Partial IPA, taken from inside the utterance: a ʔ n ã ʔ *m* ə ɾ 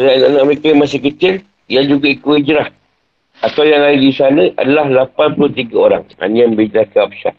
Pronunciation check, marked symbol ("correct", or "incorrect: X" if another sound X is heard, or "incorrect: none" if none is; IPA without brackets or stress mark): correct